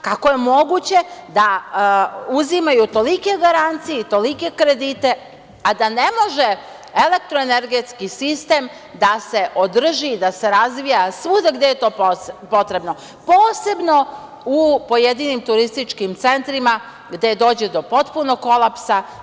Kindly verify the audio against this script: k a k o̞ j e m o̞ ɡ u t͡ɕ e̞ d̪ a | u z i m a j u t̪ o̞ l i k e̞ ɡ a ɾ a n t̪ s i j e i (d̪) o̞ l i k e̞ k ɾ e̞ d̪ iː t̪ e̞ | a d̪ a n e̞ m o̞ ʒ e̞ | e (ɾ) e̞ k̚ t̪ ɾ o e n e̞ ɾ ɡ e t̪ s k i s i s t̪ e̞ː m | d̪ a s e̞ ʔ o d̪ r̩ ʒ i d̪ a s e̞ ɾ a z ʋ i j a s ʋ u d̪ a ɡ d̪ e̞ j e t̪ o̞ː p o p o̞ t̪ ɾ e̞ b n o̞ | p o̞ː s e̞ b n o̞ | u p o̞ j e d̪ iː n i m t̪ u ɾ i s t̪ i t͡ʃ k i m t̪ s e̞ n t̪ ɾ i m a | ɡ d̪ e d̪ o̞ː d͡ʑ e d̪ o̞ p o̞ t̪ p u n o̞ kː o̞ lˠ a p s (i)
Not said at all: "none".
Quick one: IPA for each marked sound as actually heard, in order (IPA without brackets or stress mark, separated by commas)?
t̪, l, a